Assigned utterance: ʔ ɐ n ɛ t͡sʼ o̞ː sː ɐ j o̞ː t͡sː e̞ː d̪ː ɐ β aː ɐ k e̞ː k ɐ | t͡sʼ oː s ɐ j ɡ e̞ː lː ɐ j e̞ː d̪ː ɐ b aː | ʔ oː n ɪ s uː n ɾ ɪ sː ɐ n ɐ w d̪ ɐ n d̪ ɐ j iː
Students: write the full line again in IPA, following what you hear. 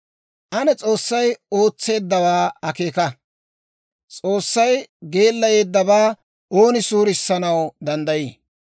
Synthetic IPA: ʔ ɐ n ɛ t͡sʼ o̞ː sː ɐ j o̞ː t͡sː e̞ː d̪ː ɐ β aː ɐ k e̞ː k ɐ | t͡sʼ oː sː ɐ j ɡ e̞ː lː ɐ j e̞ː d̪ː ɐ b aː | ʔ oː n ɪ s uː ɾ ɪ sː ɐ n ɐ w d̪ ɐ n d̪ ɐ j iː